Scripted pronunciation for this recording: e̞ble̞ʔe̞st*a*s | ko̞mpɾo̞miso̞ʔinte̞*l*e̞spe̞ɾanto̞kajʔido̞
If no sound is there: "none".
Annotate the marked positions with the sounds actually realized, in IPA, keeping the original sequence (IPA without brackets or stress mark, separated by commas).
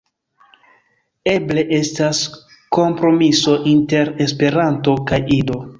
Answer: a, ɾ